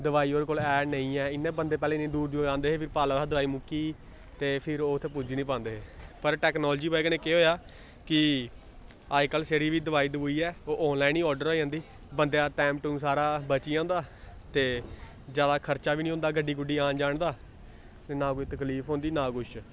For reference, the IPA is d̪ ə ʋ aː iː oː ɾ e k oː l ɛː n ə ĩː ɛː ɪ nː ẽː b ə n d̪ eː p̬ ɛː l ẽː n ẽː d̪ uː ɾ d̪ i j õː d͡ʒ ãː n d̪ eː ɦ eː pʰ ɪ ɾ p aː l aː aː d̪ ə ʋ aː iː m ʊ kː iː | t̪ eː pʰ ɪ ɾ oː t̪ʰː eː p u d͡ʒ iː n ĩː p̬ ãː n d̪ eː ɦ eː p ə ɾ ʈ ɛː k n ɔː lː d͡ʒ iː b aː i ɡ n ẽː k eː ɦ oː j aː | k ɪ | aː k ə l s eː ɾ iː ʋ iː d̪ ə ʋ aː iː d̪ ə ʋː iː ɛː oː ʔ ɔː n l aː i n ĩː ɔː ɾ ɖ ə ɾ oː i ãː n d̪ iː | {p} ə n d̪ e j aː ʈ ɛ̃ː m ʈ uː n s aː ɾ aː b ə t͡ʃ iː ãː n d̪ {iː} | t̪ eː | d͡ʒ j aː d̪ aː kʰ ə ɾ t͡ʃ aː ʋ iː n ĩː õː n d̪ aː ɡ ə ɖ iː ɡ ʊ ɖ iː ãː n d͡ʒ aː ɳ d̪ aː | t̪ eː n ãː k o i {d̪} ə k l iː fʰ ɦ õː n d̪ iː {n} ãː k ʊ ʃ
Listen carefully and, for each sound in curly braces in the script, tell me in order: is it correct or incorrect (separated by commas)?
incorrect, incorrect, incorrect, correct